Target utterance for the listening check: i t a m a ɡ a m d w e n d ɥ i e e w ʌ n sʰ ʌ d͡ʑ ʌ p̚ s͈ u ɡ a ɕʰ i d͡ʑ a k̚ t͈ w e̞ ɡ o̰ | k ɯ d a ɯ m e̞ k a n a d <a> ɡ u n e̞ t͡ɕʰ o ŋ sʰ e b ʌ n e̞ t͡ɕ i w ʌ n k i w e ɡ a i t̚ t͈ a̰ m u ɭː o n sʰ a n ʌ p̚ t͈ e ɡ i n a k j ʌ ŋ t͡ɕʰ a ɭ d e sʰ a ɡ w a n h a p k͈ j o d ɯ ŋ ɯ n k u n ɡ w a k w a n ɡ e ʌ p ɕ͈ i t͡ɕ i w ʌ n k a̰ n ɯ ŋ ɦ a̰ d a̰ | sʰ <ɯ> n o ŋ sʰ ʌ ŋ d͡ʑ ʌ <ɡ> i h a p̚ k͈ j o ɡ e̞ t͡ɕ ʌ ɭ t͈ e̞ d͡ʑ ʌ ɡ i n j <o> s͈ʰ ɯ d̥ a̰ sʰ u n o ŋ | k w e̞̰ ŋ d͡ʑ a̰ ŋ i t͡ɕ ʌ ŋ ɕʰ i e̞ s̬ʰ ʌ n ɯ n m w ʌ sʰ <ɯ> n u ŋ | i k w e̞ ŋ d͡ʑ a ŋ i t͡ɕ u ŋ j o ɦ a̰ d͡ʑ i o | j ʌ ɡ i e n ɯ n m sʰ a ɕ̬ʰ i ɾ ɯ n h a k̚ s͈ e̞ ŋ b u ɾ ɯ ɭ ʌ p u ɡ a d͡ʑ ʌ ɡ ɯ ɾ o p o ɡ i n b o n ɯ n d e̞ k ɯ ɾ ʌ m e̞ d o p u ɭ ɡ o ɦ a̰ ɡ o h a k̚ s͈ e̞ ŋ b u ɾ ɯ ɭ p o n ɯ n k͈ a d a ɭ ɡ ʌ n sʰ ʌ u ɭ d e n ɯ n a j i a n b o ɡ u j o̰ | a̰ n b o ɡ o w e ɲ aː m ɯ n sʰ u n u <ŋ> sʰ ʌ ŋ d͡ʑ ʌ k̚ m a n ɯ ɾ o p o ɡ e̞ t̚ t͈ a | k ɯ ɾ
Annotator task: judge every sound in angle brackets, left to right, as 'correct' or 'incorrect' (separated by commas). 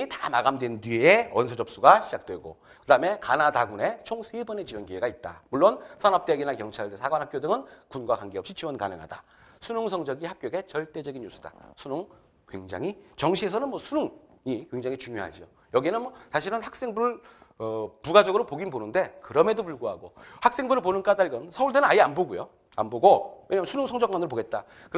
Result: correct, incorrect, correct, incorrect, incorrect, correct